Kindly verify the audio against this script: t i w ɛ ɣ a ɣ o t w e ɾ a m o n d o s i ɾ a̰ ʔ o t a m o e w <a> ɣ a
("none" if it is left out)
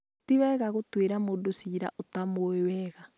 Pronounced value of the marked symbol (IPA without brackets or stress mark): ɛ